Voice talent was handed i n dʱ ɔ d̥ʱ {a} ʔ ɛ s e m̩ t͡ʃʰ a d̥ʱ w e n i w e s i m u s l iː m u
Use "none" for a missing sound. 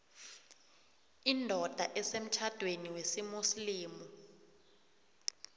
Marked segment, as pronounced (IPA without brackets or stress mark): a